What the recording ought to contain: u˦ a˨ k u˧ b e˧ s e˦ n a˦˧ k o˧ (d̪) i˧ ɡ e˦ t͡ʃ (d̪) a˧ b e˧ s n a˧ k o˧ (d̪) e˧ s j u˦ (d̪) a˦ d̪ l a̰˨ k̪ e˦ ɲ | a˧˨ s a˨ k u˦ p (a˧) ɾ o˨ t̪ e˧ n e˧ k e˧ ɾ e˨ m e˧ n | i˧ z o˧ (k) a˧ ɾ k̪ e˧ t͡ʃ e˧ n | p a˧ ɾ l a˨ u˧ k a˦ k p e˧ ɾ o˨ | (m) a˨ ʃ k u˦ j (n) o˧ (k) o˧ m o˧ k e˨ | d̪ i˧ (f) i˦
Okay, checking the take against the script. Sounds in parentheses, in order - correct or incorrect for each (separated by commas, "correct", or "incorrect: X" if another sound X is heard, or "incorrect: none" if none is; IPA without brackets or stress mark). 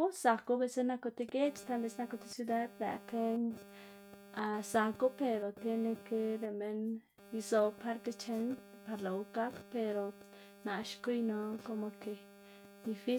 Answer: incorrect: t̪, incorrect: t̪, incorrect: t̪, correct, incorrect: e˧, incorrect: p, incorrect: n, correct, correct, correct